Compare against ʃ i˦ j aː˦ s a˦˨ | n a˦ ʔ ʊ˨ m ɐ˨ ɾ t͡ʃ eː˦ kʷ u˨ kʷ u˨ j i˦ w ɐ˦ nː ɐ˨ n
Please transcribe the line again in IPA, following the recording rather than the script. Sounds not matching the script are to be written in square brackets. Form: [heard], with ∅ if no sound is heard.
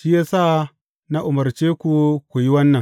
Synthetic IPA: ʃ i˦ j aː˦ s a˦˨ | n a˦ ʔ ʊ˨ m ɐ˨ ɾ t͡ʃ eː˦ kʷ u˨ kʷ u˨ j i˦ w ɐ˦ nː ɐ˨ [ŋ]